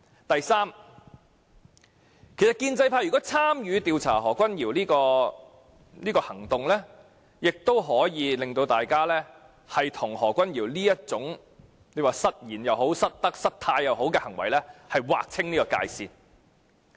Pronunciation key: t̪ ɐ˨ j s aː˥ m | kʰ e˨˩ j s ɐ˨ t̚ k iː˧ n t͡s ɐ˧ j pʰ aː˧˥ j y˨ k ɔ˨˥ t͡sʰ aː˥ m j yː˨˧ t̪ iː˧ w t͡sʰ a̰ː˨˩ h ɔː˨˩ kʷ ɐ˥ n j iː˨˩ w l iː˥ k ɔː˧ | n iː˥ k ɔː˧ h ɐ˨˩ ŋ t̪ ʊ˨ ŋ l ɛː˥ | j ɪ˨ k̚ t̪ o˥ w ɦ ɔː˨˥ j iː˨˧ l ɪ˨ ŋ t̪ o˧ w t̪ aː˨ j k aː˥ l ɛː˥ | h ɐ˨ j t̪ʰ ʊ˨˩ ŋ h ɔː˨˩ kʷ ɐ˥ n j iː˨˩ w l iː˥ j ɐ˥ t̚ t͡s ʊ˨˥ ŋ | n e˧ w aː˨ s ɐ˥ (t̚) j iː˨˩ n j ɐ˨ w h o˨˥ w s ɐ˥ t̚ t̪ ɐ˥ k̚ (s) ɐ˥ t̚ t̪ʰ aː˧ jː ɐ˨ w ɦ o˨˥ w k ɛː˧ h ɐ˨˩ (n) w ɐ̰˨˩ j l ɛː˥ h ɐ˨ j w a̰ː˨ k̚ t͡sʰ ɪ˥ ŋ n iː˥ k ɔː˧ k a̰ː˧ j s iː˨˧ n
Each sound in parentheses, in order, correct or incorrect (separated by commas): correct, correct, incorrect